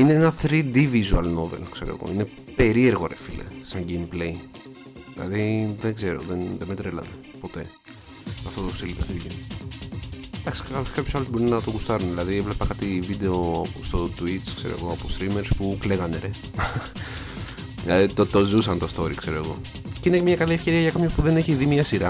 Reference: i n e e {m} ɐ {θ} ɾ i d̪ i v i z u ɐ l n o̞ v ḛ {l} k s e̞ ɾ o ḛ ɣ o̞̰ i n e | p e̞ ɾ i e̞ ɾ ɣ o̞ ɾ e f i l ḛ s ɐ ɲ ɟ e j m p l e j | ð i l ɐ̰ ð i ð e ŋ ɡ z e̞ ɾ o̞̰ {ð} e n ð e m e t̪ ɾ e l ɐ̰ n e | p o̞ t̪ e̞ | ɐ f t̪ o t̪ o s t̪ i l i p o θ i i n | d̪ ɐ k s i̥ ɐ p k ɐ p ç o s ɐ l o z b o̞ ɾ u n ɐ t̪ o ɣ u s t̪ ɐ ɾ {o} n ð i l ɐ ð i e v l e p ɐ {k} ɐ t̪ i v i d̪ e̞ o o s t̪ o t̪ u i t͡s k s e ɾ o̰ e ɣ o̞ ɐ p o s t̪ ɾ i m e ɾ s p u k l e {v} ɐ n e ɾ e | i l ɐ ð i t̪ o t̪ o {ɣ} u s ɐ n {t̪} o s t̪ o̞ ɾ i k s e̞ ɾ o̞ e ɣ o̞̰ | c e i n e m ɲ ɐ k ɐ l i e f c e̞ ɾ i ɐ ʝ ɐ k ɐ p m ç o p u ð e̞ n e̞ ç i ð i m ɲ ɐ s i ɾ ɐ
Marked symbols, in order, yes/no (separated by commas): no, yes, yes, yes, no, yes, no, no, yes